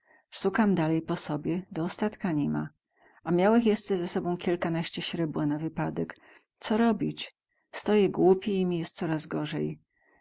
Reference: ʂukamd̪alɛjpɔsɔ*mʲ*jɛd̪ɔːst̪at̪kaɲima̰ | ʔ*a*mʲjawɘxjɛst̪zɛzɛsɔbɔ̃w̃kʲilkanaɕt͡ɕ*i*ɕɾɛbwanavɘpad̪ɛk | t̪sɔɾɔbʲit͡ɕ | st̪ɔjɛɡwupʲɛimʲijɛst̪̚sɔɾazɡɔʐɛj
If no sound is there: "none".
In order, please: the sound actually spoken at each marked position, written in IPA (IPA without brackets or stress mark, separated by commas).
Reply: bʲ, a, ɛ